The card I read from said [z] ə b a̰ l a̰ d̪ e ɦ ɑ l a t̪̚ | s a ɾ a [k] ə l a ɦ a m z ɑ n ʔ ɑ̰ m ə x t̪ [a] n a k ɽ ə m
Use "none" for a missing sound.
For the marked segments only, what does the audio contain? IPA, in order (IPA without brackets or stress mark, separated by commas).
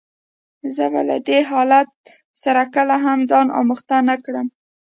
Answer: z, k, a